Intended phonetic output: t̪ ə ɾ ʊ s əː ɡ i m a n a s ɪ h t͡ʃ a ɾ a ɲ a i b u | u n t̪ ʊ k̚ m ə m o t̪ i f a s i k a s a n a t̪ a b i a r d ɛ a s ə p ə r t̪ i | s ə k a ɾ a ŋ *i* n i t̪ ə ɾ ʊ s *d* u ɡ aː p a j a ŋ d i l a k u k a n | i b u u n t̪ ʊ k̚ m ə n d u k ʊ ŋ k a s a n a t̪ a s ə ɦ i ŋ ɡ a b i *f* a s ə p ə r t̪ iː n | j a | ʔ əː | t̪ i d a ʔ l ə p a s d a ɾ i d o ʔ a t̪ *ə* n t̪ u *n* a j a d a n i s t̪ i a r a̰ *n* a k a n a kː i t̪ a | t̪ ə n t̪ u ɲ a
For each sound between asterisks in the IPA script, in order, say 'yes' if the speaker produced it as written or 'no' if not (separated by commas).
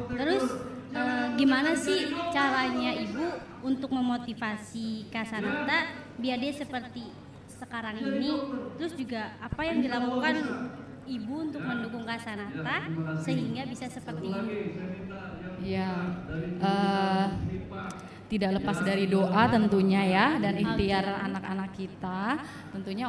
yes, no, no, yes, no, yes